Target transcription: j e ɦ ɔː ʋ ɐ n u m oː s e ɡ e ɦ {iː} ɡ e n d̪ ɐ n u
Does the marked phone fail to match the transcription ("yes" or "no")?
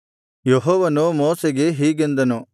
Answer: no